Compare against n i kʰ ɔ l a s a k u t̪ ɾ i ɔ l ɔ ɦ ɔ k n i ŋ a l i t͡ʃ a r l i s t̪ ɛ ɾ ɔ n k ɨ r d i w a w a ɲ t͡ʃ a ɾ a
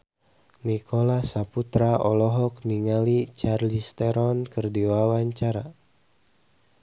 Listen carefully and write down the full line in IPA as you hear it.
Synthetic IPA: n i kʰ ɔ l a s a p u t̪ ɾ a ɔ l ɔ ɦ ɔ k n i ŋ a l i t͡ʃ a r l i s t̪ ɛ ɾ ɔ n k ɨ r d i w a w a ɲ t͡ʃ a ɾ a